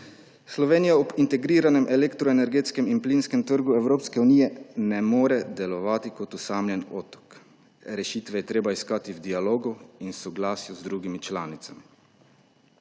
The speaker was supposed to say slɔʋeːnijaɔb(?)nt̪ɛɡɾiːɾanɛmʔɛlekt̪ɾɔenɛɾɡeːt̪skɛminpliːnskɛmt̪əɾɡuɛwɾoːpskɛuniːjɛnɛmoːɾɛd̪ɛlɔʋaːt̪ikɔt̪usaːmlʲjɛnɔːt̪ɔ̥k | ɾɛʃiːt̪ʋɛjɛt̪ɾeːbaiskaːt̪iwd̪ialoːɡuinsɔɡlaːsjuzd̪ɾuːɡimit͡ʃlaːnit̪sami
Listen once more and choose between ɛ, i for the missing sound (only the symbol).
i